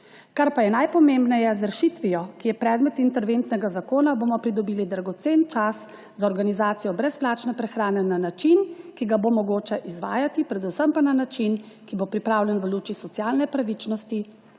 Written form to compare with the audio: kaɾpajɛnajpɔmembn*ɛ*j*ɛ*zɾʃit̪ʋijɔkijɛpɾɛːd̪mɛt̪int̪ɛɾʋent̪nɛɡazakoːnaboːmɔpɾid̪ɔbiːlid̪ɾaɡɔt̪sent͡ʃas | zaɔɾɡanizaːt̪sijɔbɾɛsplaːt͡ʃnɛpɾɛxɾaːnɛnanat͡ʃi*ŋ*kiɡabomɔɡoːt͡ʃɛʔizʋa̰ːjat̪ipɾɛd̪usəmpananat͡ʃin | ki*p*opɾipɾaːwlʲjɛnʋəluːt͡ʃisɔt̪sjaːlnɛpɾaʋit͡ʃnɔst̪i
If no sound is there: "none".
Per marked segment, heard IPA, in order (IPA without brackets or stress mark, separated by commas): ɛ, ɛ, n, b